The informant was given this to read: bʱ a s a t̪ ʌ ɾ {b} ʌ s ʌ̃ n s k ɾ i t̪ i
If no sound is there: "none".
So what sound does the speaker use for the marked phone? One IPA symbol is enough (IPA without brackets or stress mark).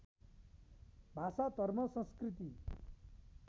m